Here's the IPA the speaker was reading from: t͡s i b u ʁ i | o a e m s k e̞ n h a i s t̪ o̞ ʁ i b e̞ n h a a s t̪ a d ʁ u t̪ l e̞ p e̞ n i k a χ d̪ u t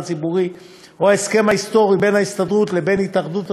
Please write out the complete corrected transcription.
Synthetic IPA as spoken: t͡s i b u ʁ i | o a e s k e̞ m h a i s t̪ o̞ ʁ i b e̞ n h a i s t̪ a d ʁ u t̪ l e̞ b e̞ n i t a χ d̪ u t

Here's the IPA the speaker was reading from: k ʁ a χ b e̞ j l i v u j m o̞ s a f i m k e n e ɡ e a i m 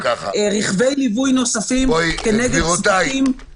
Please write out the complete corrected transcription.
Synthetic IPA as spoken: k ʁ i χ v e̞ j l i v u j n o̞ s a f i m k e n e ɡ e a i m

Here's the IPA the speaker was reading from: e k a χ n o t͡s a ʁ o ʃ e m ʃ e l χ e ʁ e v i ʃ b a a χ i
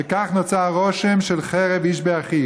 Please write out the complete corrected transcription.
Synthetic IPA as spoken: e k a χ n o t͡s a ʁ o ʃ e m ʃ e l χ e ʁ e v i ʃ b e a χ i

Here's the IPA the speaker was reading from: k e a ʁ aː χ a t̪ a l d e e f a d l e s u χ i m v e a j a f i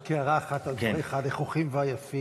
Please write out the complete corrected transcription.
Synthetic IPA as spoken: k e a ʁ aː χ a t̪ a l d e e χ a d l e χ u χ i m v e a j a f i

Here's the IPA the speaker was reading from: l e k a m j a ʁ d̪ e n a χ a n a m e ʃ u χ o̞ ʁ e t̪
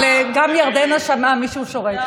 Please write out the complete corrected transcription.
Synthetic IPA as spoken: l e ɡ a m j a ʁ d̪ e n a ʃ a m a m i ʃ u ʃ o̞ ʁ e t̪

